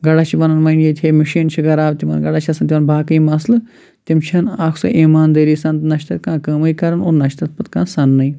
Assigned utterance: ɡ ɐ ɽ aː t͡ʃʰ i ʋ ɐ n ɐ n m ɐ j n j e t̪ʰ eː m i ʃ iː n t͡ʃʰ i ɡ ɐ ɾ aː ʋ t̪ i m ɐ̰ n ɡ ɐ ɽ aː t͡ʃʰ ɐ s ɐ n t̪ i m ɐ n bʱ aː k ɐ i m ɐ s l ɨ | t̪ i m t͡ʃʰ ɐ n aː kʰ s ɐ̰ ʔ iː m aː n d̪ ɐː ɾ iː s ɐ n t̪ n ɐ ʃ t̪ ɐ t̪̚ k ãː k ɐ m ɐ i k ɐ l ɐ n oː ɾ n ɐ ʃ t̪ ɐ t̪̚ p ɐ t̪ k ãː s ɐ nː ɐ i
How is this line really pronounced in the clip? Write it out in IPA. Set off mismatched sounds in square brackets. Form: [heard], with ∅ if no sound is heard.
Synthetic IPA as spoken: ɡ ɐ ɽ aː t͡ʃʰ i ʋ ɐ n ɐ n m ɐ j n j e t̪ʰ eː m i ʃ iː n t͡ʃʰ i ɡ ɐ ɾ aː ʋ t̪ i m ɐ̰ n ɡ ɐ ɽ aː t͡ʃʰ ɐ s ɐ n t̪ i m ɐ n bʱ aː k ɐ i m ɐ s l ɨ | t̪ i m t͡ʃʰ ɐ n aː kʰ s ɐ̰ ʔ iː m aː n d̪ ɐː ɾ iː s ɐ n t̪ n ɐ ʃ t̪ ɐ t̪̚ k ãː k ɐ m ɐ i k ɐ [ɾ] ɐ n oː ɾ n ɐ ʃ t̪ ɐ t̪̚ p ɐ t̪ k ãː s ɐ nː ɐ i

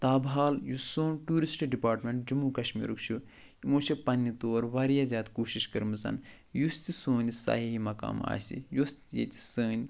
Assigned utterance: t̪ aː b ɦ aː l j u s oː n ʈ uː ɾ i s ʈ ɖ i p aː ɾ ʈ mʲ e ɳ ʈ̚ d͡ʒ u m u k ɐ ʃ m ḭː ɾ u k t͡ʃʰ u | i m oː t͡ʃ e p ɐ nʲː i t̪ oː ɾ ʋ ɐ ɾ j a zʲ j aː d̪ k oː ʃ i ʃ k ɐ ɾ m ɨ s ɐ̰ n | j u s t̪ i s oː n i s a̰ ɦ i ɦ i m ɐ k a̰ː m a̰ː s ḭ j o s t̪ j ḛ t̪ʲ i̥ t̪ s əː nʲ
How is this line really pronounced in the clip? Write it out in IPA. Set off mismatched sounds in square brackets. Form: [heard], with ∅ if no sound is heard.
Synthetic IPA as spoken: t̪ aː b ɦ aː l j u s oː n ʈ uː ɾ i s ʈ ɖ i p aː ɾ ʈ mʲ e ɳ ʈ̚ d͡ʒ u m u k ɐ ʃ m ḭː ɾ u k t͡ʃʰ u | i m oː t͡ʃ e p ɐ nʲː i t̪ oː ɾ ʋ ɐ ɾ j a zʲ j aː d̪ k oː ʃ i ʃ k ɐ ɾ m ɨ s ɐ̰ n | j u s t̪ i s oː n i s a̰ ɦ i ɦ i m ɐ k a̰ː m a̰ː s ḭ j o s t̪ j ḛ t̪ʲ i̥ [∅] s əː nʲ

